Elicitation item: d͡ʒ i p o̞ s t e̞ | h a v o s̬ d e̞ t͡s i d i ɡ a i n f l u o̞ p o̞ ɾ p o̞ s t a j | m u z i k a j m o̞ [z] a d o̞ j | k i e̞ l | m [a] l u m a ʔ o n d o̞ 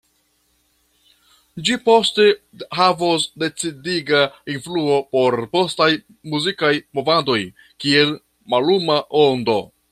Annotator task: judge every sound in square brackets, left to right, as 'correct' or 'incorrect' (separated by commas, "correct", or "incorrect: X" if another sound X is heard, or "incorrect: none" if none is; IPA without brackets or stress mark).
incorrect: v, correct